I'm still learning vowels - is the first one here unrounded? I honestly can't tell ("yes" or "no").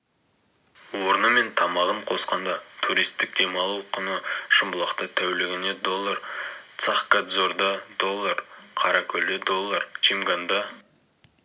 no